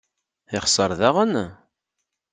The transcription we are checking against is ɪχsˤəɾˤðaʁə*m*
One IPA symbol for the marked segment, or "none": n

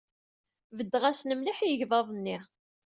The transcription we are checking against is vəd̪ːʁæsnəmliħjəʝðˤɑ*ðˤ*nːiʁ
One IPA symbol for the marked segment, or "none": ðˤ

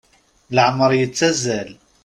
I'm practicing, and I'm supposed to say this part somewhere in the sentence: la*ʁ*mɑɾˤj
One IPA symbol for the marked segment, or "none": ʕ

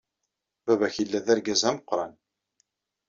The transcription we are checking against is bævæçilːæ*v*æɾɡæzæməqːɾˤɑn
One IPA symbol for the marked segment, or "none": ð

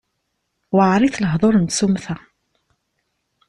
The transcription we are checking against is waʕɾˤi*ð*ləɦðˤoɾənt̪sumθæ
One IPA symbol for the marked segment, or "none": θ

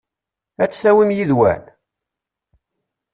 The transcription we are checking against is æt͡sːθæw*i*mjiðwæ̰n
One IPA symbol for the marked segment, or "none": i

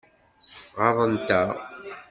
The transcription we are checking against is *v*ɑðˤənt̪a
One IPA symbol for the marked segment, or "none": ʁ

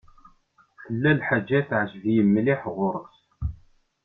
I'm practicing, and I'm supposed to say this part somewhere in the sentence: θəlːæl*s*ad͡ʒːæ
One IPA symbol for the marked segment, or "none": ħ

